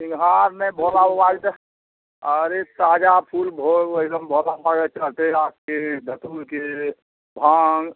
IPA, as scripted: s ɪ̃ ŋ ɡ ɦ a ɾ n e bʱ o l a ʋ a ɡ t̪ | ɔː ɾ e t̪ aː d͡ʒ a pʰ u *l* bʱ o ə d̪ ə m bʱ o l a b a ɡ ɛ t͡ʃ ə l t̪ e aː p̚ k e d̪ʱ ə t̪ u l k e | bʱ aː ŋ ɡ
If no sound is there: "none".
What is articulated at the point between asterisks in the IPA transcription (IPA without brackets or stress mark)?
l